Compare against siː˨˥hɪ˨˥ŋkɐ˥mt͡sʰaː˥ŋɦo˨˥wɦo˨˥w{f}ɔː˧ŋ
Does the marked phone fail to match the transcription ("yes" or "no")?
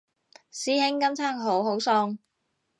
yes